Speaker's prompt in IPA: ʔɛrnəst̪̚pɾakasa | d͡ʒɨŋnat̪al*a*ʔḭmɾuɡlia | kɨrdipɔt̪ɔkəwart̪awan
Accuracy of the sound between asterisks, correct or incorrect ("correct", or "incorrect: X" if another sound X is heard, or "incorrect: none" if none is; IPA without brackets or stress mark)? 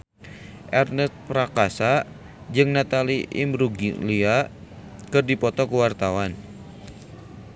incorrect: i